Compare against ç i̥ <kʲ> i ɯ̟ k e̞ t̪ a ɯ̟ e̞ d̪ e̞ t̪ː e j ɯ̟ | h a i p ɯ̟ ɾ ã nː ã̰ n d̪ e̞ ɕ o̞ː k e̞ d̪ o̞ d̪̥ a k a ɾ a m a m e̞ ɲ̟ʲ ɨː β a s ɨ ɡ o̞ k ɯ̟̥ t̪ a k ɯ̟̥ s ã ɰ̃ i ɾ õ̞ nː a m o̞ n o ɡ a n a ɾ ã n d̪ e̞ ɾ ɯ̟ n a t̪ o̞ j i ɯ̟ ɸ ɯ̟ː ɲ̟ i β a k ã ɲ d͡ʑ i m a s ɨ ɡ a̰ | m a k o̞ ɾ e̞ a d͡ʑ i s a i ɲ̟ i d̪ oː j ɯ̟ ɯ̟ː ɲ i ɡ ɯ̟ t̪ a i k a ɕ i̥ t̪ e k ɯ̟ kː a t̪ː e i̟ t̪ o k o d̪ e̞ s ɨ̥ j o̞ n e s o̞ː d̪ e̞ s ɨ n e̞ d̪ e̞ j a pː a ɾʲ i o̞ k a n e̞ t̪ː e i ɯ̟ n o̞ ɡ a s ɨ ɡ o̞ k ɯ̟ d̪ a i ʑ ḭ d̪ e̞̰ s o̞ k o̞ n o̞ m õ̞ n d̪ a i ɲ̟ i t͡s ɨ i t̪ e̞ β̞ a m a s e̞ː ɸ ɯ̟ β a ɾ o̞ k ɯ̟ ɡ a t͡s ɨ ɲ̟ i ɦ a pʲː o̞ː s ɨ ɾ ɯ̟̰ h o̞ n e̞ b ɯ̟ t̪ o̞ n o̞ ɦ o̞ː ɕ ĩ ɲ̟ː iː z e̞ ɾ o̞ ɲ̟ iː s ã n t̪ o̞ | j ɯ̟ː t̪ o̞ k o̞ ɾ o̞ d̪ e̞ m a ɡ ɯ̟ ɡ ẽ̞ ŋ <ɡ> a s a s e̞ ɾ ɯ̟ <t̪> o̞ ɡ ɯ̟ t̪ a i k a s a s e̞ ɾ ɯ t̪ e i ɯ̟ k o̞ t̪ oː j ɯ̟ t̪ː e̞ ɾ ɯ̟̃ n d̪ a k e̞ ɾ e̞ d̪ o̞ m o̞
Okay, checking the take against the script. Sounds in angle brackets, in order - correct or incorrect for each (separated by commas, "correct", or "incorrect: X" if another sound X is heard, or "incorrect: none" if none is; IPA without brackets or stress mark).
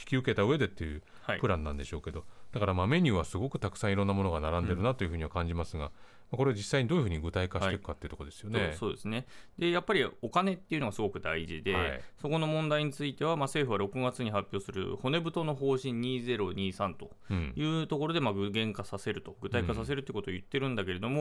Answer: correct, incorrect: k, correct